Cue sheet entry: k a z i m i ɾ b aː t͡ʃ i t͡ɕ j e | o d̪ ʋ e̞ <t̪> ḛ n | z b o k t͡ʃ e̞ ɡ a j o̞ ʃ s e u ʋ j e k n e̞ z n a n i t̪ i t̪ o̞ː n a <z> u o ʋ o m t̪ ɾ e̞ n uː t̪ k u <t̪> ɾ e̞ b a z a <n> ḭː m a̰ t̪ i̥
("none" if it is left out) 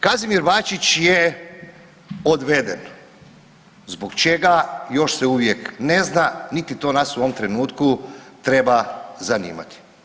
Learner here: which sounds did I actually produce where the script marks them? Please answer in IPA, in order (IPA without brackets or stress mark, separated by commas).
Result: d̪, s, t̪, n